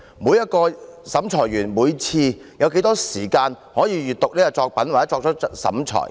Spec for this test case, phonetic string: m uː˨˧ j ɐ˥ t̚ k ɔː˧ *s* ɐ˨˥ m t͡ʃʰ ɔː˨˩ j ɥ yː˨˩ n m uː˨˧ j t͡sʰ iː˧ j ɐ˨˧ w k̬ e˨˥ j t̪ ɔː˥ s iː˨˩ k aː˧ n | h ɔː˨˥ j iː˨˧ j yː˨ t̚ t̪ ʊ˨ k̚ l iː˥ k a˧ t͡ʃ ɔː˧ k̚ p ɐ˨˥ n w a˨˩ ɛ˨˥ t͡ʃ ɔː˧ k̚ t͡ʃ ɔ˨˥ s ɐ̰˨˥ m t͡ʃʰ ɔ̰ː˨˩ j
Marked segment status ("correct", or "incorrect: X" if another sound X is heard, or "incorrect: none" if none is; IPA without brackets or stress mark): correct